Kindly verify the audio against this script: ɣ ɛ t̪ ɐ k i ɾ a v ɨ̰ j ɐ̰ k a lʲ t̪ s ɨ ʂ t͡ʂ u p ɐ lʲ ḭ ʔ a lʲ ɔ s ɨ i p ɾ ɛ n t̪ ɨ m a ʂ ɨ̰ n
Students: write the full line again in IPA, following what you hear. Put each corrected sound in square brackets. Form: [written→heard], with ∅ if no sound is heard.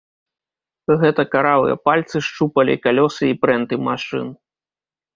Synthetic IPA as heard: ɣ ɛ t̪ ɐ k [i→a] ɾ a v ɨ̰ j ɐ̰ [k→p] a lʲ t̪ s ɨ ʂ t͡ʂ u p ɐ lʲ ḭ [ʔ→k] a lʲ ɔ s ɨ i p ɾ ɛ n t̪ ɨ m a ʂ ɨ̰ n